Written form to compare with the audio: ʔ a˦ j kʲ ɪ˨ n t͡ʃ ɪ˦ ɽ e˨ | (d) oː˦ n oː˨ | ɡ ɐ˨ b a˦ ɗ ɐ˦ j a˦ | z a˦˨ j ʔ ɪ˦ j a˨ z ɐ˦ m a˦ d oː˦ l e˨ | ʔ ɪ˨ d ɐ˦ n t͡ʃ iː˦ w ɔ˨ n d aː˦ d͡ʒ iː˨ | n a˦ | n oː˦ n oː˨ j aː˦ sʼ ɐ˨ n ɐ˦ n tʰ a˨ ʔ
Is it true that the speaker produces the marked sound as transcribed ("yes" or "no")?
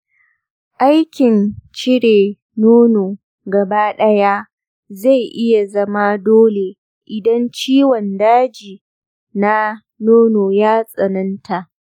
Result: no